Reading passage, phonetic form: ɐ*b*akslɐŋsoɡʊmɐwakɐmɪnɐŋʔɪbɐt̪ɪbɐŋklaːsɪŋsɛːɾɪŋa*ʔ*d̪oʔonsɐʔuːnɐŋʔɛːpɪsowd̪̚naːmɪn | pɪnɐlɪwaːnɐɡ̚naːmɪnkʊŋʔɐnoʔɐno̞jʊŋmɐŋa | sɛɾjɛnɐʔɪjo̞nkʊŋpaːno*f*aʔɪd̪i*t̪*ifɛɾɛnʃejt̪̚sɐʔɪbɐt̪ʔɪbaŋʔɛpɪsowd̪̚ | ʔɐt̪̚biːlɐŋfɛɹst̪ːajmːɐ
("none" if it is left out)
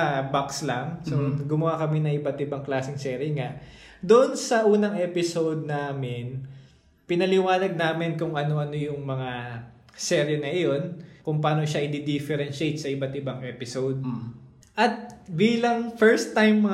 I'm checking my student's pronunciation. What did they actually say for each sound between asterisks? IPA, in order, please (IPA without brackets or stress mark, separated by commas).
b, ʔ, ʃ, d̪